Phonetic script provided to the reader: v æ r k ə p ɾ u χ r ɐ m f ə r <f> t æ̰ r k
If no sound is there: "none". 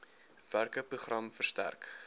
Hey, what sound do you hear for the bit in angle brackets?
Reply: s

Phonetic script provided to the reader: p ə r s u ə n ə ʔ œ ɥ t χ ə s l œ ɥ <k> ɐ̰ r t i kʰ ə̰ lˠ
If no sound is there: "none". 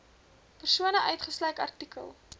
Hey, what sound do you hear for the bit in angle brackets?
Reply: k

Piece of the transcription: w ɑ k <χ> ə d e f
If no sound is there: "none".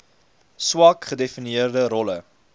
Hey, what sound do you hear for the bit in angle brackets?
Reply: χ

